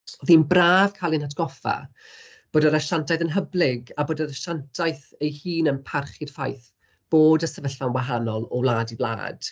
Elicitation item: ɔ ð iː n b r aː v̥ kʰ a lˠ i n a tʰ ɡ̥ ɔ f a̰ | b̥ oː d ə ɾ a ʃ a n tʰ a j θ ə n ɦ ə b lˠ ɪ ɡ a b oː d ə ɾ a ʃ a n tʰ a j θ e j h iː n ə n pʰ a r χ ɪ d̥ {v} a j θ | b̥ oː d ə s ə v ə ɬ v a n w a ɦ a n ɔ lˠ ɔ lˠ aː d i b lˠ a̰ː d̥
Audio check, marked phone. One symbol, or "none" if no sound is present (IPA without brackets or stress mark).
f